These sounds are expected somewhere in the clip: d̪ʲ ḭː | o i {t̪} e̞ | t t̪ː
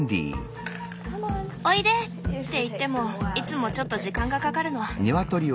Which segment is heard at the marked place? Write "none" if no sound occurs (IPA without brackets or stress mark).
d̪